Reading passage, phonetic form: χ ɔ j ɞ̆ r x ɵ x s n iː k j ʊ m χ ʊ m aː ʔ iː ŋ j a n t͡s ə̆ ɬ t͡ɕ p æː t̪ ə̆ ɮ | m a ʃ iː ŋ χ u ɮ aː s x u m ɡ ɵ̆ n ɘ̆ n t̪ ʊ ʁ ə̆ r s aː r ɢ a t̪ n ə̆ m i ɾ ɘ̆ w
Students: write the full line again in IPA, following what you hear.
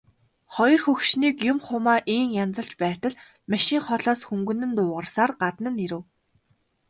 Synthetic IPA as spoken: χ ɔ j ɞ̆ r x ɵ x ʃ n iː k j ʊ m χ ʊ m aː ʔ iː ŋ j a n t͡s ə̆ ɬ t͡ɕ p æː t̪ ə̆ ɮ | m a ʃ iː ŋ χ ɔ ɮ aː s x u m ɡ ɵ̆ n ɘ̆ n t̪ ʊː ʁ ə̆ r s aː r ɢ a t̪ n ə̆ n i ɾ ɘ̆ w